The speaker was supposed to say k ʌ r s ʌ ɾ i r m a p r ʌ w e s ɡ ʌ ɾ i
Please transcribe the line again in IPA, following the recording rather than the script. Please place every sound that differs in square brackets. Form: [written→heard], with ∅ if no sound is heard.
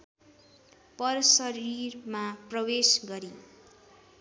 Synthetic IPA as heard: [k→p] ʌ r s ʌ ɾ i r m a p r ʌ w e s ɡ ʌ ɾ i

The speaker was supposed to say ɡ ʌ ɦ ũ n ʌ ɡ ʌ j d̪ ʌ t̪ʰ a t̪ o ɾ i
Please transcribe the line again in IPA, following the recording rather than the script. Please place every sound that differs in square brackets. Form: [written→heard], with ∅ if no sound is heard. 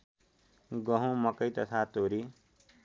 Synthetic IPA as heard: ɡ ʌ ɦ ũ [n→m] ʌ [ɡ→k] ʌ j [d̪→t̪] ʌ t̪ʰ a t̪ o ɾ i

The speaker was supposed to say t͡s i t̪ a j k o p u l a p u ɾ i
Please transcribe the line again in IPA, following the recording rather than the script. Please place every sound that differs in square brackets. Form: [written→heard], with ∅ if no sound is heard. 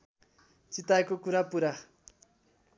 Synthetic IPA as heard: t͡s i t̪ a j k o [p→k] u [l→ɾ] a p u ɾ [i→a]

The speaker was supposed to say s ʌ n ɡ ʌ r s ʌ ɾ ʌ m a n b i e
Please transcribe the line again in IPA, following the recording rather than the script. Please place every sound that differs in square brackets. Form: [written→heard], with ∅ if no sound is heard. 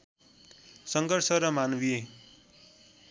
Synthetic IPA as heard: s ʌ [n→ŋ] ɡ ʌ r s ʌ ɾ ʌ m a n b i e

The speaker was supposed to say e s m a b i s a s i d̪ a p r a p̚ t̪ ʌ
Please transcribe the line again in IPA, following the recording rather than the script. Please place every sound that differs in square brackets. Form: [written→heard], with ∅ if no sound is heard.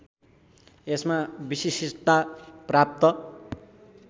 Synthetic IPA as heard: e s m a b i s [a→i] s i [d̪→t̪] a p r a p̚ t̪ ʌ

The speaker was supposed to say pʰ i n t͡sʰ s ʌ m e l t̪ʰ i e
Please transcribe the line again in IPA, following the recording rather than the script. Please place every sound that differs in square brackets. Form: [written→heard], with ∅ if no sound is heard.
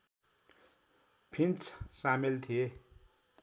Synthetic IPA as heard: pʰ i n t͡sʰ s [ʌ→a] m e l t̪ʰ i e

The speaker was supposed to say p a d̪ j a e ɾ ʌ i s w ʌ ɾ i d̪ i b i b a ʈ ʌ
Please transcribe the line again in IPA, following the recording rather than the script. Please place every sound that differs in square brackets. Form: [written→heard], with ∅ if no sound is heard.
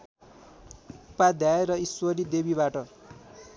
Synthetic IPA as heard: p a d̪ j a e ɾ ʌ i s w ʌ ɾ i d̪ [i→e] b i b a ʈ ʌ

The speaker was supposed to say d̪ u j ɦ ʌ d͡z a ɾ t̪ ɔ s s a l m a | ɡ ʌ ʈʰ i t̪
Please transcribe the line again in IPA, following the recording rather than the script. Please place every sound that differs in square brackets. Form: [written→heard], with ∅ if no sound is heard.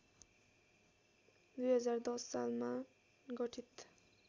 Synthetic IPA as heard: d̪ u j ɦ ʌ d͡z a ɾ [t̪→d̪] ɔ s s a l m a | ɡ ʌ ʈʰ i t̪

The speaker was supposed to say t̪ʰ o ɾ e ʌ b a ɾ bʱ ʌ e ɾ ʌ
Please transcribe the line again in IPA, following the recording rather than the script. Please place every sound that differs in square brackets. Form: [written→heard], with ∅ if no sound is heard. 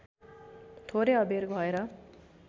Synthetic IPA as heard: t̪ʰ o ɾ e ʌ b [a→e] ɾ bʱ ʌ e ɾ ʌ

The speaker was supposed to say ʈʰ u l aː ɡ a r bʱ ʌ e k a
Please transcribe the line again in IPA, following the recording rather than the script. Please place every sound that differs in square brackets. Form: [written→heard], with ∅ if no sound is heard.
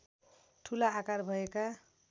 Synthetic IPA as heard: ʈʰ u l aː [ɡ→k] a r bʱ ʌ e k a

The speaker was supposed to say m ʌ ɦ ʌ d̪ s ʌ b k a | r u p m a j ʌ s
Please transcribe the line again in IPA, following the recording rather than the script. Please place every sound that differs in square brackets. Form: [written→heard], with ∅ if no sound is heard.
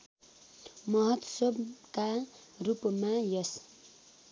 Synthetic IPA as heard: m ʌ ɦ ʌ [d̪→t̪] s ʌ b k a | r u p m a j ʌ s

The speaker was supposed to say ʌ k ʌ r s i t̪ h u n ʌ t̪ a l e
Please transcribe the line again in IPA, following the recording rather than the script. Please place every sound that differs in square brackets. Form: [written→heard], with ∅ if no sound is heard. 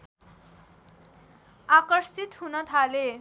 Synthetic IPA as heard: [ʌ→a] k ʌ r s i t̪ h u n ʌ [t̪→t̪ʰ] a l e

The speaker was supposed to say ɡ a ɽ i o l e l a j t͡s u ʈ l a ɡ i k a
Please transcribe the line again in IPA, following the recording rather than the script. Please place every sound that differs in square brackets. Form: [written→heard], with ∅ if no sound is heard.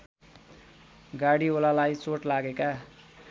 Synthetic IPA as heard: ɡ a ɽ i o l [e→a] l a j t͡s [u→o] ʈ l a ɡ [i→e] k a

